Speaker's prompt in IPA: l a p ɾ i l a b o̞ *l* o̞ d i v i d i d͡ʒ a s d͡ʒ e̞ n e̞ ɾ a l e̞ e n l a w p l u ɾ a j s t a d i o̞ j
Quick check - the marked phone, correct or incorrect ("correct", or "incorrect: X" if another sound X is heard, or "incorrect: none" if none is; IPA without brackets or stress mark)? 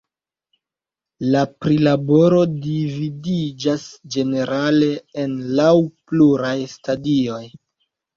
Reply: incorrect: ɾ